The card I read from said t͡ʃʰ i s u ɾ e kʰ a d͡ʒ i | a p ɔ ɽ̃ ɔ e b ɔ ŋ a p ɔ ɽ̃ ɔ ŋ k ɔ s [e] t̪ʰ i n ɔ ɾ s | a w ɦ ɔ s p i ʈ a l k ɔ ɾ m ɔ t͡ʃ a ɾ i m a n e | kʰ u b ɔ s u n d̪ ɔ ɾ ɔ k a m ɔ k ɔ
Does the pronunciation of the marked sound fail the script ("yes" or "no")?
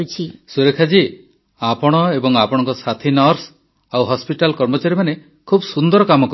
yes